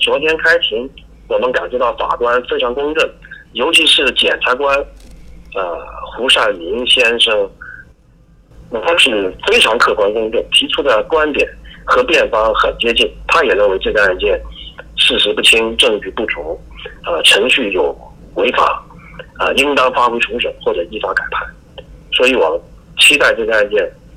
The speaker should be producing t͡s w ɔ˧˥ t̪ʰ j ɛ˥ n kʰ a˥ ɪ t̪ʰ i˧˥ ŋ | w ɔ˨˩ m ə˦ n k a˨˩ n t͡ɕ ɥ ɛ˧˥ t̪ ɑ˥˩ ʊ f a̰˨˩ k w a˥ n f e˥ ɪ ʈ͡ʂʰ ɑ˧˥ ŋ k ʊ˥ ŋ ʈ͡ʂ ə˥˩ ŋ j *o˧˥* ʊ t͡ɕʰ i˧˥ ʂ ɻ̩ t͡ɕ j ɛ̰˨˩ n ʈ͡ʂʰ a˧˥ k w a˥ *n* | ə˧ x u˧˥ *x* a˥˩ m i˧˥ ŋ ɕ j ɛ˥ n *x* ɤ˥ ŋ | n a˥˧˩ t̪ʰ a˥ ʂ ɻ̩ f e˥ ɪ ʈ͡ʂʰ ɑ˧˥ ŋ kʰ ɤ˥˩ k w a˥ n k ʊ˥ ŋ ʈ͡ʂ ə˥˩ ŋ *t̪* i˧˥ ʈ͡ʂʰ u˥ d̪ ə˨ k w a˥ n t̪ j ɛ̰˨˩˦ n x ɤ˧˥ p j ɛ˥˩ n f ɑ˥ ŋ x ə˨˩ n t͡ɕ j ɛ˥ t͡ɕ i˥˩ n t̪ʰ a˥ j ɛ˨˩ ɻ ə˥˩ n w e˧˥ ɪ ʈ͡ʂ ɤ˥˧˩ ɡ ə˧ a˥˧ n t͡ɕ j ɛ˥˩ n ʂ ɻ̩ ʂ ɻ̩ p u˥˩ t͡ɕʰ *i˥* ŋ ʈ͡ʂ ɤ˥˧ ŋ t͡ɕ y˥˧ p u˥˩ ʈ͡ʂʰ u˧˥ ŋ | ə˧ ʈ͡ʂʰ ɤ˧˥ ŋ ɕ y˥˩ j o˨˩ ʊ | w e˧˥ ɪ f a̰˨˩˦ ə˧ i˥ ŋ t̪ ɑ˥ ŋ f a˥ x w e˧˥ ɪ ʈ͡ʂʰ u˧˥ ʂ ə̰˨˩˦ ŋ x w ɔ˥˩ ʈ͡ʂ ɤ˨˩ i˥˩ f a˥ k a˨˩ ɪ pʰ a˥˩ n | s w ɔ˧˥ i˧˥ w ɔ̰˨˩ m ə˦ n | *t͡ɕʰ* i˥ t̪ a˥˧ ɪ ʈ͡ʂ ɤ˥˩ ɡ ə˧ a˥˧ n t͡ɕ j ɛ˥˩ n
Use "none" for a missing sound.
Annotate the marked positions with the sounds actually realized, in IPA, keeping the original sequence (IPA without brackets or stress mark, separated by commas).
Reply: o˧˥, n, ʂ, ʂ, t̪ʰ, i˥, t͡ɕʰ